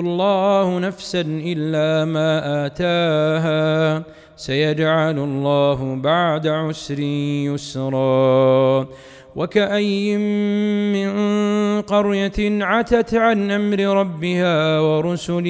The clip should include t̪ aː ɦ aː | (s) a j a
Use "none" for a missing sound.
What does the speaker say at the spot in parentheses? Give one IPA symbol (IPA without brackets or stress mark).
s